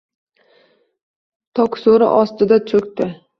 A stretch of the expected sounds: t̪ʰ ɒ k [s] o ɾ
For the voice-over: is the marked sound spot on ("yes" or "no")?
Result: yes